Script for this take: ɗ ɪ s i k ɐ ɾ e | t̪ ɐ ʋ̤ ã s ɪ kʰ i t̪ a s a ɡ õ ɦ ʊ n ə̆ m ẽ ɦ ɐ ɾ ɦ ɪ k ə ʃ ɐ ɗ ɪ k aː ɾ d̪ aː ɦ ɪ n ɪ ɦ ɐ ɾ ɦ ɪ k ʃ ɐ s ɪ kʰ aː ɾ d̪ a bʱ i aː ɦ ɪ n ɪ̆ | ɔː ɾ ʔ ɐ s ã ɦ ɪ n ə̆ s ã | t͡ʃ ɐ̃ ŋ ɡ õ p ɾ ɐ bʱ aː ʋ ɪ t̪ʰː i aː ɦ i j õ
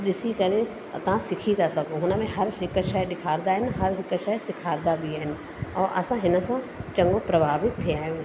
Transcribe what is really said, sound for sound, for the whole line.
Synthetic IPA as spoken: ɗ ɪ s i k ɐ ɾ e | t̪ ɐ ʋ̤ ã s ɪ kʰ i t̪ a s ɐ ɡ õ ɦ ʊ n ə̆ m ẽ ɦ ɐ ɾ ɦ ɪ k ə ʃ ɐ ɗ ɪ kʰ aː ɾ d̪ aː ɦ ɪ n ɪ ɦ ɐ ɾ ɦ ɪ k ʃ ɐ s ɪ kʰ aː ɾ d̪ a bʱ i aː ɦ ɪ n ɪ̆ | ɔː ɾ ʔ ɐ s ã ɦ ɪ n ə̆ s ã | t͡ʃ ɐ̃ ŋ ɡ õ p ɾ ɐ bʱ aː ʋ ɪ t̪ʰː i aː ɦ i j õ